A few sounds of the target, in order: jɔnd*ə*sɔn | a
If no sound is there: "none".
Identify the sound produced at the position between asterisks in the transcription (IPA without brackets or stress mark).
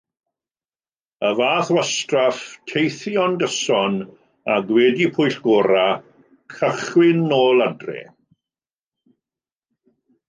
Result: ə